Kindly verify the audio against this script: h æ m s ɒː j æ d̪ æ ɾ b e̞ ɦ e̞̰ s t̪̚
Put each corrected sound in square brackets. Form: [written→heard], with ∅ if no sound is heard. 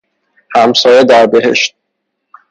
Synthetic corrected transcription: h æ m s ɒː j [æ→e] d̪ æ ɾ b e̞ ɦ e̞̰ [s→ʃ] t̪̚